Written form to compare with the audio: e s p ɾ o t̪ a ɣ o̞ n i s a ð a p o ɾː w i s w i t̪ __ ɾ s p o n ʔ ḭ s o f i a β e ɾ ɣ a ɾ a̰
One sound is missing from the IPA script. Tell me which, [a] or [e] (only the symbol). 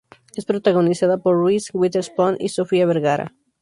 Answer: e